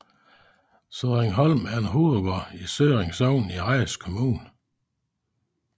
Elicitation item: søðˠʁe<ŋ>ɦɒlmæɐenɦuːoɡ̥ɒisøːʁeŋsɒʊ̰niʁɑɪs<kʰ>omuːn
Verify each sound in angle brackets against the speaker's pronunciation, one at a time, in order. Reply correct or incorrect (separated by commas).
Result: correct, correct